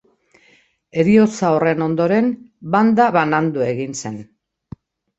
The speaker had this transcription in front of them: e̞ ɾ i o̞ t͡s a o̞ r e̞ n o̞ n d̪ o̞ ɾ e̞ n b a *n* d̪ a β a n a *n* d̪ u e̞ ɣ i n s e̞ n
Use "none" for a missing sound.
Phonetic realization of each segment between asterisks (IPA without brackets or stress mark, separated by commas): n, n